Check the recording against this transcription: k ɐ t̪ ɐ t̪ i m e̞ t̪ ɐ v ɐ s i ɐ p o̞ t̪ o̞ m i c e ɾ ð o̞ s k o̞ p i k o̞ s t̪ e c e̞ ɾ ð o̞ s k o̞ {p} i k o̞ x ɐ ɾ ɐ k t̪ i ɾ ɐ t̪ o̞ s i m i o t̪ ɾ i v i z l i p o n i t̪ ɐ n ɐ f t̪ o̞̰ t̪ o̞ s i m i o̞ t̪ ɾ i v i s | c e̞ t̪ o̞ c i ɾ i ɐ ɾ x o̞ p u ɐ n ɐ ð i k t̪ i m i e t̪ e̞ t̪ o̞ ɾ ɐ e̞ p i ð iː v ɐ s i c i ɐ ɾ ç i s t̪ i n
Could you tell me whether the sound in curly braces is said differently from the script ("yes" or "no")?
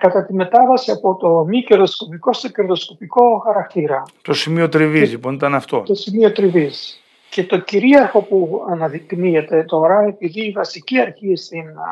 no